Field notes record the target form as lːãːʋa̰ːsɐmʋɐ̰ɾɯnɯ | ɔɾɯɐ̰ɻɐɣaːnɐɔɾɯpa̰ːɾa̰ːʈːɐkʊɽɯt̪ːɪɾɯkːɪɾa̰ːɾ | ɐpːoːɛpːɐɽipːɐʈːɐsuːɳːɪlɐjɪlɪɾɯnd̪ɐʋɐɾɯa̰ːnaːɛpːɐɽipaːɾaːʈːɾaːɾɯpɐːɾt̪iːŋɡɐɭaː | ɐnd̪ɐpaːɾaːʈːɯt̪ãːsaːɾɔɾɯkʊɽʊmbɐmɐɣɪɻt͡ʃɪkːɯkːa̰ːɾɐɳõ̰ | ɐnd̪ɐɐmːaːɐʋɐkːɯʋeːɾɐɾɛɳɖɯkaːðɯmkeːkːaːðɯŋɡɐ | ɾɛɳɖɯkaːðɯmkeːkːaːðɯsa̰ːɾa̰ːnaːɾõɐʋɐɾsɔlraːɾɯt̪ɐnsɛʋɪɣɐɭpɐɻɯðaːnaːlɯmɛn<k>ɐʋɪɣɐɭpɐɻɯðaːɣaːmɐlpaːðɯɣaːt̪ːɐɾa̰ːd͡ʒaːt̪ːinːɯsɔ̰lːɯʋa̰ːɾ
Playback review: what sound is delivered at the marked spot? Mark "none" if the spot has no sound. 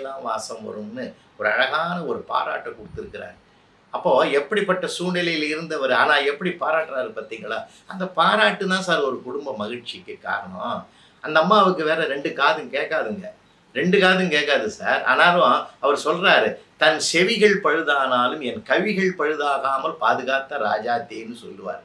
k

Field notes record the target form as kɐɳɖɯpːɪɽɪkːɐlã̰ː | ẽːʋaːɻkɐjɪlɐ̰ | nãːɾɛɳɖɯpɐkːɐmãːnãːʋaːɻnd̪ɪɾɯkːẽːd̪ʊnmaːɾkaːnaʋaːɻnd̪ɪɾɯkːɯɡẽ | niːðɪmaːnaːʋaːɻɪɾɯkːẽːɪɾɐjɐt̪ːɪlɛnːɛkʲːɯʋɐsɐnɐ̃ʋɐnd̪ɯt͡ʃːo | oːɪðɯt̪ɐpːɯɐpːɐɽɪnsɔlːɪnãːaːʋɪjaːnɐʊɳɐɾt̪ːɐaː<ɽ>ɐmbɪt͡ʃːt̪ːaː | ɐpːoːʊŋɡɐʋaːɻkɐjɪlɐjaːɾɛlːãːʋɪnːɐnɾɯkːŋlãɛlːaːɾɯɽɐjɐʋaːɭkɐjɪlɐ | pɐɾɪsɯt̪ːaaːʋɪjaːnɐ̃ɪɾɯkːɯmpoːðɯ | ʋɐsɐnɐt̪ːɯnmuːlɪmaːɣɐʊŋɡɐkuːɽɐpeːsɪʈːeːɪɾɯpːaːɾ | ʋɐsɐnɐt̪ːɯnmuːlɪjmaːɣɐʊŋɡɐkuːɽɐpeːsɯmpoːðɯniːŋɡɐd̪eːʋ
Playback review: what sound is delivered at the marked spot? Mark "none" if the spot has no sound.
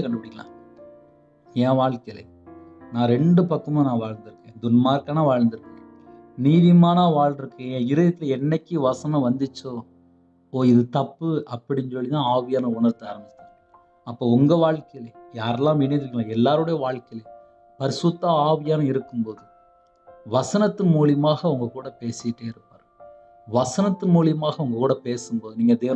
ɾ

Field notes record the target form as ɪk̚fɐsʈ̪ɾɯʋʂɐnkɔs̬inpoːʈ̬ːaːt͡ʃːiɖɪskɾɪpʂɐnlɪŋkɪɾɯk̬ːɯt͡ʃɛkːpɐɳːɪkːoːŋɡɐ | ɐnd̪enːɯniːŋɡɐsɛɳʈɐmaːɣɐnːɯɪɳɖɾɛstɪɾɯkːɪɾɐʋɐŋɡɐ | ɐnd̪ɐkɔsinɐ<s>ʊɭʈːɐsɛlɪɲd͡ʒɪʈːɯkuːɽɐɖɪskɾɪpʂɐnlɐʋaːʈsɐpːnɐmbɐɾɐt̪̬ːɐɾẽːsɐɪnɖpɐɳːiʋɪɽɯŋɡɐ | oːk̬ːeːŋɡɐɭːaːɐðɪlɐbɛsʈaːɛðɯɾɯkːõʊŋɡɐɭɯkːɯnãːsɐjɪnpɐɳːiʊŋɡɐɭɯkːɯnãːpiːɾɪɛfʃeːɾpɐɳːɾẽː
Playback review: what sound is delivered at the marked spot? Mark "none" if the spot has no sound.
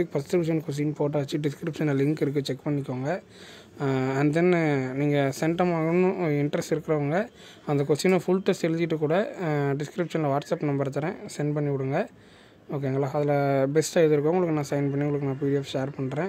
f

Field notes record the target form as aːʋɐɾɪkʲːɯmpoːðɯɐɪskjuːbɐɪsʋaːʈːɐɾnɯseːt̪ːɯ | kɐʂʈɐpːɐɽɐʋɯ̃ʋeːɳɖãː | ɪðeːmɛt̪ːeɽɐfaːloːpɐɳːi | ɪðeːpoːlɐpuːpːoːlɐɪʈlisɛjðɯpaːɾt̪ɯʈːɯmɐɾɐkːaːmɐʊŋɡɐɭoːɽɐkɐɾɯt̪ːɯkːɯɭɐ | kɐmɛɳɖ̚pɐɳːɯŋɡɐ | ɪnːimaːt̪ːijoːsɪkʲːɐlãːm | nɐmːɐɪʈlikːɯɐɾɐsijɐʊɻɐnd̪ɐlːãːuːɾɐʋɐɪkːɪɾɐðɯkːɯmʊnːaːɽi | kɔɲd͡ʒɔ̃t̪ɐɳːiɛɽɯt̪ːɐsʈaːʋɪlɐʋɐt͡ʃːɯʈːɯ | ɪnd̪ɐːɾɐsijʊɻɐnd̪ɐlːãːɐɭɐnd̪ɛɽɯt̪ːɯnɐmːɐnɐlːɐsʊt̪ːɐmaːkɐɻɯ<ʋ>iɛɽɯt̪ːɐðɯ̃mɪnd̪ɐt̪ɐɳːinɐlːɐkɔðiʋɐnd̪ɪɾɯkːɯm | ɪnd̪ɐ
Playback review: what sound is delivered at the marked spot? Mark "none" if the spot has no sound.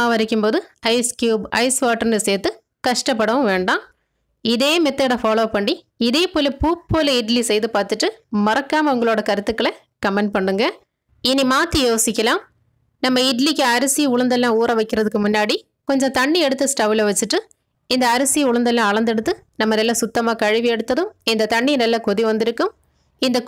ʋ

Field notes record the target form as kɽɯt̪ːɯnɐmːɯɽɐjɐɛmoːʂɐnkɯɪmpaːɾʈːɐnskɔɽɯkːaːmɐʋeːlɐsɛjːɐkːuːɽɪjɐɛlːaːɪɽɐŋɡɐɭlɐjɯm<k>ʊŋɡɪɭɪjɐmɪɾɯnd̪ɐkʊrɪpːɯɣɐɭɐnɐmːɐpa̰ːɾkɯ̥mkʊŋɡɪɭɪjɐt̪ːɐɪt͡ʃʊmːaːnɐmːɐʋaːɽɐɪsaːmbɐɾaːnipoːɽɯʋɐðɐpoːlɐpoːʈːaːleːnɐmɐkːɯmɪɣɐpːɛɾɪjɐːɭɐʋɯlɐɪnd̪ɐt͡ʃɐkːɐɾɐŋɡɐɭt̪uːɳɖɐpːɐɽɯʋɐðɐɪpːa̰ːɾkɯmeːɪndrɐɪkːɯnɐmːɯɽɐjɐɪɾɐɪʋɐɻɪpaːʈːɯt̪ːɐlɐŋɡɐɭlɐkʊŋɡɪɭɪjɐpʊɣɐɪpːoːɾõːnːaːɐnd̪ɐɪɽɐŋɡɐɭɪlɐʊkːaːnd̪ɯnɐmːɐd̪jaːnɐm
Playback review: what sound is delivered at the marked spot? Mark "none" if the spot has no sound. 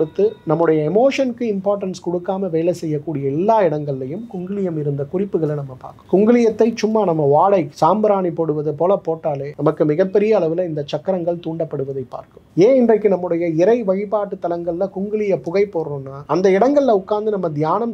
k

